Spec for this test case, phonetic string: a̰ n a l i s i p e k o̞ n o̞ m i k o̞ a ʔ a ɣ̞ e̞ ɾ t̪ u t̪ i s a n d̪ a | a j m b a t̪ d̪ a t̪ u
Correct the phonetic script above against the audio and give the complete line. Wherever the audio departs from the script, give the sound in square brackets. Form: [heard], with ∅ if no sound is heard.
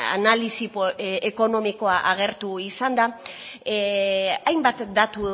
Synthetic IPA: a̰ n a l i s i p e k o̞ n o̞ m i k o̞ a ʔ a ɣ̞ e̞ ɾ t̪ u [∅] i s a n d̪ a | a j m b a t̪ d̪ a t̪ u

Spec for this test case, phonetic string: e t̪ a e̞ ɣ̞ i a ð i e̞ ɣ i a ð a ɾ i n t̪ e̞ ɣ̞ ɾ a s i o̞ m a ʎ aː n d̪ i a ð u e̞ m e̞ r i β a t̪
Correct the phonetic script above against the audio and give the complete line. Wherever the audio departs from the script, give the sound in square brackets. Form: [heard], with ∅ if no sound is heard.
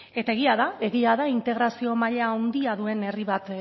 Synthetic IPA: e t̪ a e̞ ɣ̞ i a ð [a] e̞ ɣ i a ð a [∅] i n t̪ e̞ ɣ̞ ɾ a s i o̞ m a ʎ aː n d̪ i a ð u e̞ [n] e̞ r i β a t̪

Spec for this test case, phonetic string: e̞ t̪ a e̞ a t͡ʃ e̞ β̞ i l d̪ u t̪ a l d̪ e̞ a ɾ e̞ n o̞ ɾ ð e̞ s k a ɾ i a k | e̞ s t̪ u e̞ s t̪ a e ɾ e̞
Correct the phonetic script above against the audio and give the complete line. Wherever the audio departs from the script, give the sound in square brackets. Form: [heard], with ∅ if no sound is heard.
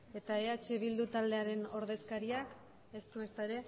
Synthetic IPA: e̞ t̪ a e̞ a t͡ʃ e̞ β̞ i l d̪ u t̪ a l d̪ e̞ a ɾ e̞ n o̞ ɾ ð e̞ s k a ɾ i a k | e̞ s t̪ u e̞ s t̪ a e ɾ e̞

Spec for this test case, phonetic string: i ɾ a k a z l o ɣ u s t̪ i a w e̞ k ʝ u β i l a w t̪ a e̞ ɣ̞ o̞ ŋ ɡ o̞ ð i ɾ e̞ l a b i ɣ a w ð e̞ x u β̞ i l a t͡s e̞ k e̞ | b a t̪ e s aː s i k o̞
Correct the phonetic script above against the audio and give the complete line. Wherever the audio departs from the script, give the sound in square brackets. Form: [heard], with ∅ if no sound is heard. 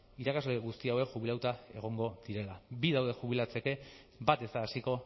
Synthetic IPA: i ɾ a k a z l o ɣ u s t̪ i a w e̞ k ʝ u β i l a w t̪ a e̞ ɣ̞ o̞ ŋ ɡ o̞ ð i ɾ e̞ l a b i [ð] a w ð e̞ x u β̞ i l a t͡s e̞ k e̞ | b a t̪ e s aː s i k o̞

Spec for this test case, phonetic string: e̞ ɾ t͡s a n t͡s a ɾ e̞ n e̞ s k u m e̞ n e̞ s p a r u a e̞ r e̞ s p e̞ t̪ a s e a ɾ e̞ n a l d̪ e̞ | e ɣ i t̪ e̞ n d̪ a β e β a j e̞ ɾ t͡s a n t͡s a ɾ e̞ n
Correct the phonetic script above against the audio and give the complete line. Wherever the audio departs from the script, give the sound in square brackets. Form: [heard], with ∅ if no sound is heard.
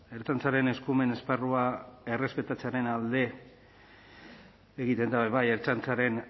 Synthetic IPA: e̞ ɾ t͡s a n t͡s a ɾ e̞ n e̞ s k u m e̞ n e̞ s p a r u a e̞ r e̞ s p e̞ t̪ a [t͡s] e a ɾ e̞ n a l d̪ e̞ | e ɣ i t̪ e̞ n d̪ a β e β a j e̞ ɾ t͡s a n t͡s a ɾ e̞ n

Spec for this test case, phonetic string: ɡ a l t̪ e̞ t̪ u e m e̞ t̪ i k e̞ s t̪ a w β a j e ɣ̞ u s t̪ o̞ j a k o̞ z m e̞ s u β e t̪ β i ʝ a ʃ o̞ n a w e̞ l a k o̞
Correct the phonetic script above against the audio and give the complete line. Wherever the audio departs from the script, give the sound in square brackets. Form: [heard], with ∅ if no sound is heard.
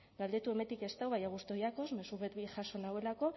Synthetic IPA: ɡ a l [d̪] e̞ t̪ u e m e̞ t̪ i k e̞ s t̪ a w β a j [a] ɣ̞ u s t̪ o̞ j a k o̞ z m e̞ s u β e t̪ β i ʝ a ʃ o̞ n a w e̞ l a k o̞

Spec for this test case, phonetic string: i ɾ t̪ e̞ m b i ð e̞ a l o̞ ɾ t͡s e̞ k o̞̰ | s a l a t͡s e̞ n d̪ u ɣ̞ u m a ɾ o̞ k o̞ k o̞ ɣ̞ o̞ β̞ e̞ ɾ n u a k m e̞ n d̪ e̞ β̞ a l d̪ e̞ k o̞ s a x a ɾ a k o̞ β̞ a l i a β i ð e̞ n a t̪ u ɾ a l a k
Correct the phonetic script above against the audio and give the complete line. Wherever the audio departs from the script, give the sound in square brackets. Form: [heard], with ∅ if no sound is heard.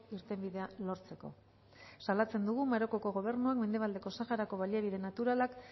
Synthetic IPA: i ɾ t̪ e̞ m b i ð e̞ a l o̞ ɾ t͡s e̞ k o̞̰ | s a l a t͡s e̞ n d̪ u ɣ̞ u m a ɾ o̞ k o̞ k o̞ ɣ̞ o̞ β̞ e̞ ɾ n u a k m e̞ n d̪ e̞ β̞ a l d̪ e̞ k o̞ s a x a ɾ a k o̞ β̞ a l i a β i ð e̞ n a t̪ u ɾ a l a k

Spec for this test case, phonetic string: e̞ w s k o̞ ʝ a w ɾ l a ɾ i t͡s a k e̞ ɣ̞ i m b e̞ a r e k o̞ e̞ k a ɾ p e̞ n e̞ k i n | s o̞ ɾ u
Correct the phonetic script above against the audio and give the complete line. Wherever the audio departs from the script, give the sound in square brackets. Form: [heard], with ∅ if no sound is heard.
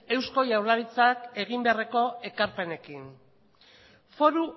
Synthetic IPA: e̞ w s k o̞ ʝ a w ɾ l a ɾ i t͡s a k e̞ ɣ̞ i m b e̞ a r e k o̞ e̞ k a ɾ p e̞ n e̞ k i n | [f] o̞ ɾ u

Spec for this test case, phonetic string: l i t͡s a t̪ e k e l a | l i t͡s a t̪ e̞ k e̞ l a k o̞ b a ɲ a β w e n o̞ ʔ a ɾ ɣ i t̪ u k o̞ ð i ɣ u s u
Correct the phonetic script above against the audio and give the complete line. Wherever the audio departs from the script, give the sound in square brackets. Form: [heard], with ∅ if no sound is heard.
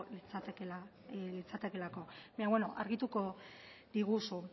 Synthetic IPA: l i t͡s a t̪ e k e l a | l i t͡s a t̪ e̞ k e̞ l a k o̞ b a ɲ a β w e n o̞ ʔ a ɾ ɣ i t̪ u k o̞ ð i ɣ u s u

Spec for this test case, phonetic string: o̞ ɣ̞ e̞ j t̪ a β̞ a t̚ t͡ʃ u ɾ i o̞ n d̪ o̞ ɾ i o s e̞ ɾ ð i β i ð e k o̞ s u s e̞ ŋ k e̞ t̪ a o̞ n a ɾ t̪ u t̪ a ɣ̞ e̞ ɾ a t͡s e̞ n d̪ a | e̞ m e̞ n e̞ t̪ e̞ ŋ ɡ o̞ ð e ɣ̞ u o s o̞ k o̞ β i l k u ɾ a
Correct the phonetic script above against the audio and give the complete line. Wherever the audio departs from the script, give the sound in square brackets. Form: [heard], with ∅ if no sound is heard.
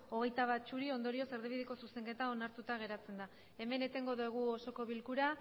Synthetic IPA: o̞ ɣ̞ e̞ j t̪ a β̞ a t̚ t͡ʃ u ɾ i o̞ n d̪ o̞ ɾ i o s e̞ ɾ ð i β i ð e k o̞ s u s e̞ ŋ k e̞ t̪ a o̞ n a ɾ t̪ u t̪ a ɣ̞ e̞ ɾ a t͡s e̞ n d̪ a | e̞ m e̞ n e̞ t̪ e̞ ŋ ɡ o̞ ð e ɣ̞ u o s o̞ k o̞ β i l k u ɾ a

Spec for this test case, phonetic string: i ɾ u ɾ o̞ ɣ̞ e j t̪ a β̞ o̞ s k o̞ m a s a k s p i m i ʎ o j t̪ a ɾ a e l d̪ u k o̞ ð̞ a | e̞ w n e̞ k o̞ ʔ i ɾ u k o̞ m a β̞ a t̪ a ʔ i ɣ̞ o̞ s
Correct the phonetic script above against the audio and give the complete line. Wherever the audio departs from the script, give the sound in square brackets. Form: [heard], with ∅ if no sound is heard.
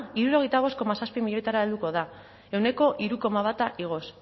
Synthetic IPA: i ɾ u ɾ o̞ ɣ̞ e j t̪ a β̞ o̞ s k o̞ m a s a [∅] s p i m i ʎ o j t̪ a ɾ a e l d̪ u k o̞ ð̞ a | e̞ w n e̞ k o̞ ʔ i ɾ u k o̞ m a β̞ a t̪ a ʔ i ɣ̞ o̞ s

